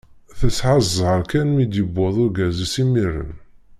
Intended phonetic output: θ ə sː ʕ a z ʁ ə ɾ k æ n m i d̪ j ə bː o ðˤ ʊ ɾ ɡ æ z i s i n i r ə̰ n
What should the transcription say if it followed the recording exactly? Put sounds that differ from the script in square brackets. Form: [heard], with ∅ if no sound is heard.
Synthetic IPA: θ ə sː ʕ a z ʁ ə ɾ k æ n m i d̪ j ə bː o ðˤ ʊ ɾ ɡ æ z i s i [m] i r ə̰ n